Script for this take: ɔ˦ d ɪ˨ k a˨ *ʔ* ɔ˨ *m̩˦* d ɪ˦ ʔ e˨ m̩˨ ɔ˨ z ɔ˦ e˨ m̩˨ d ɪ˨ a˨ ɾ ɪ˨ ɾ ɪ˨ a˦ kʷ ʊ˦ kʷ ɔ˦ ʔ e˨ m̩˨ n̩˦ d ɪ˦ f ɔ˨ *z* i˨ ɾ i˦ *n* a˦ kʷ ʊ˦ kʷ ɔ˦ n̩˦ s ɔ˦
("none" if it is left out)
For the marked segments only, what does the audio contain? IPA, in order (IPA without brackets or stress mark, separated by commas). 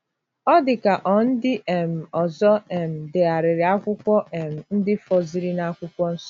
ʔ, n̩˦, z, n